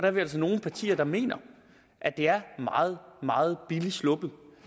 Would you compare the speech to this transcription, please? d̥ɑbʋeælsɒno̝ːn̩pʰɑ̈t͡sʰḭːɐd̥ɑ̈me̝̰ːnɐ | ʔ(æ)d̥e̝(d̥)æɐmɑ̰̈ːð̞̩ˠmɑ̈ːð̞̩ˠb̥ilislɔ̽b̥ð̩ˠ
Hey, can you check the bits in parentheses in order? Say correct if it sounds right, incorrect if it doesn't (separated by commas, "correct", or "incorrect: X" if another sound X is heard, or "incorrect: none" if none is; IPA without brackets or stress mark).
correct, incorrect: none